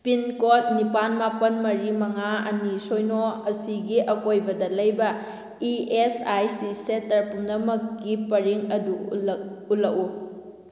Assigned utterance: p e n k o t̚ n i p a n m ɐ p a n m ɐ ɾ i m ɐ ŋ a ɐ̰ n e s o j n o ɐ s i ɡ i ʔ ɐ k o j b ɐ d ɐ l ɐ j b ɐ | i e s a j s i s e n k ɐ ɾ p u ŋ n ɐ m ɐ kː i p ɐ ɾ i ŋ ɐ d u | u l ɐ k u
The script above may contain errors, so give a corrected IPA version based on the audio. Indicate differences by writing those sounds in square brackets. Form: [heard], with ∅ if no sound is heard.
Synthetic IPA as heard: p [i] n k o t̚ n i p a n m [a] p [ɐ] n m ɐ ɾ i m ɐ ŋ a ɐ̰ n [i] s o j n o ɐ s i ɡ i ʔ ɐ k o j b ɐ d ɐ l ɐ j b ɐ | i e s a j s i s e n [t] ɐ ɾ p u [m] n ɐ m ɐ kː i p ɐ ɾ i ŋ ɐ d u | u l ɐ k u